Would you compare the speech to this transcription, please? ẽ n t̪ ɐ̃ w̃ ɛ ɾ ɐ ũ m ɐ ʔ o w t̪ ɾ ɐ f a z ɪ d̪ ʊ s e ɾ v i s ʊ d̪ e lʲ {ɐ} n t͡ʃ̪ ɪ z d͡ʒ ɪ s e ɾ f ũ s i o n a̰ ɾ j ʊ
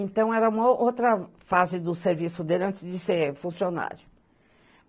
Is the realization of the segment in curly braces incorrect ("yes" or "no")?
yes